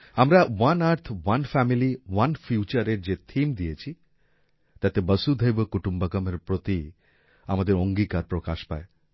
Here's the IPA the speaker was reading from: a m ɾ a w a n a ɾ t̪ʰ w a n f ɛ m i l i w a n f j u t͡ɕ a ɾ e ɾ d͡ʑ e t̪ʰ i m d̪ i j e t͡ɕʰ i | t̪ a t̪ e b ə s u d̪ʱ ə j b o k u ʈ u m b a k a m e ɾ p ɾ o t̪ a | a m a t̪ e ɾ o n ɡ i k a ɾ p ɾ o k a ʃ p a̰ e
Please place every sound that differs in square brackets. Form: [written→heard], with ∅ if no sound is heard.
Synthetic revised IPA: a m ɾ a w a n a ɾ t̪ʰ w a n f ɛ m i l i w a n f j u t͡ɕ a ɾ e ɾ d͡ʑ e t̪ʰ i m d̪ i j e t͡ɕʰ i | t̪ a t̪ e b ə s u d̪ʱ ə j b o k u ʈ u m b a k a m e ɾ p ɾ o t̪ [a→i] | a m a [t̪→d̪] e ɾ o [n→ŋ] ɡ i k a ɾ p ɾ o k a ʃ p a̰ e